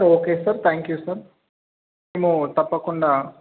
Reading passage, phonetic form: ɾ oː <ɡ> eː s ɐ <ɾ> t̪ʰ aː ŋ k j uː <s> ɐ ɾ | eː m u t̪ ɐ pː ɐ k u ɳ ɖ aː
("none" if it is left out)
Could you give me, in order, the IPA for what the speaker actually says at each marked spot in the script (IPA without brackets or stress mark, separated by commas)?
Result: k, ɾ, s